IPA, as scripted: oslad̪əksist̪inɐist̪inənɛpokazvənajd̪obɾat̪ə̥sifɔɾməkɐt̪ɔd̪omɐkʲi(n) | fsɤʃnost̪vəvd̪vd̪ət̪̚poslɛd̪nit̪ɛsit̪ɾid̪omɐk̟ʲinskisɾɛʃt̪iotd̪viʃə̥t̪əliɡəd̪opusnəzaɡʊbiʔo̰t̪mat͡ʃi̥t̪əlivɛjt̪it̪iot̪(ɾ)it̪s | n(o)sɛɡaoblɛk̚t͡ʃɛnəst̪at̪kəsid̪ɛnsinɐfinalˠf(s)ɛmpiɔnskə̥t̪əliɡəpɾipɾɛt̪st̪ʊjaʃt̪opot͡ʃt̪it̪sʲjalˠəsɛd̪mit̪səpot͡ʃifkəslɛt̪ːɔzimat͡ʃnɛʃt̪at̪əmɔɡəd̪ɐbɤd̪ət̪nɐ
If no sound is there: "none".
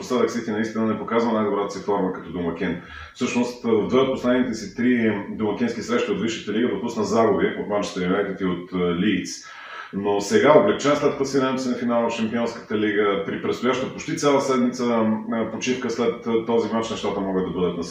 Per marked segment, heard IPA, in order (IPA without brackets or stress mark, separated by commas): n, l, o, ʃ